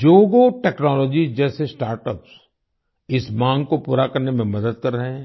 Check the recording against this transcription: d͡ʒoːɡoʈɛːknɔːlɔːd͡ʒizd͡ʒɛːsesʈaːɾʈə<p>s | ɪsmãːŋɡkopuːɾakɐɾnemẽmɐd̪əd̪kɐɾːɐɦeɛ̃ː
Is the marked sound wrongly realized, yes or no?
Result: no